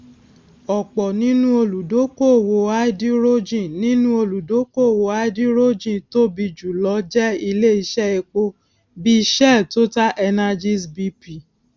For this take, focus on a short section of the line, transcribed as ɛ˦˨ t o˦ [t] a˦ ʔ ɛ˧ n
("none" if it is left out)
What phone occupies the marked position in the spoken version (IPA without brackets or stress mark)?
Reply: t